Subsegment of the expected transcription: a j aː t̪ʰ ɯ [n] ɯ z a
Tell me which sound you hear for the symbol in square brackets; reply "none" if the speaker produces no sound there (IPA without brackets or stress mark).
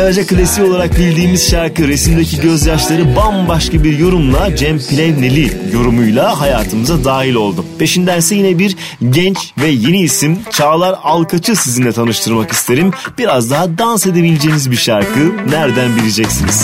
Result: m